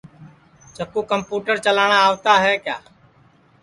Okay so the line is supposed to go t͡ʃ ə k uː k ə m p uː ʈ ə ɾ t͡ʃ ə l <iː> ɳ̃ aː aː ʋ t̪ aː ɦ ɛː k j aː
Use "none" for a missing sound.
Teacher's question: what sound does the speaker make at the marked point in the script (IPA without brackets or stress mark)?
aː